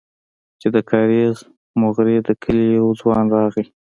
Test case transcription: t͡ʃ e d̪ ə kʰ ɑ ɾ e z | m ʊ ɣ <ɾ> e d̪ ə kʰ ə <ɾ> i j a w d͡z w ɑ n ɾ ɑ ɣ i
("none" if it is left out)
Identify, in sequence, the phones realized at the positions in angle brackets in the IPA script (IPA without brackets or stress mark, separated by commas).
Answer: ɾ, l